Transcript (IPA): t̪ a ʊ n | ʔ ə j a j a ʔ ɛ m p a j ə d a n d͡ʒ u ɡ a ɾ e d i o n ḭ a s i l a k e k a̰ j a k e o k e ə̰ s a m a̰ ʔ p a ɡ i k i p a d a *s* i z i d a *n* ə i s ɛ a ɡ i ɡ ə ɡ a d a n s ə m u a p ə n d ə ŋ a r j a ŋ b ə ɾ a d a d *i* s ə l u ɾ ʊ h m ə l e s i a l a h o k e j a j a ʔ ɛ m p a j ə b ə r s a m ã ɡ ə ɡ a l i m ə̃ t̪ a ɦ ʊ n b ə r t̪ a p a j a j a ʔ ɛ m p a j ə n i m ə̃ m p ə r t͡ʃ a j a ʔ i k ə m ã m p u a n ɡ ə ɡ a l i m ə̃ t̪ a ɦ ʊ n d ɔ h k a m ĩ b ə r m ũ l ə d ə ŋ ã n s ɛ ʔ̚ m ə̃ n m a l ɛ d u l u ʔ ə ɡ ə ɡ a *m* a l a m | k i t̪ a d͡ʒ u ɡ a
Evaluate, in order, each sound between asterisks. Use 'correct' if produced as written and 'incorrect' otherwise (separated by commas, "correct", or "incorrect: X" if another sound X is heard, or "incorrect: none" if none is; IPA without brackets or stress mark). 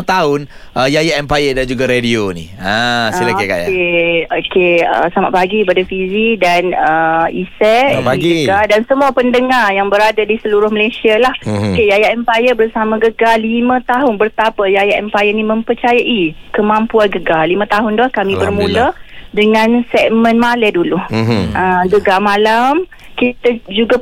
incorrect: f, correct, correct, correct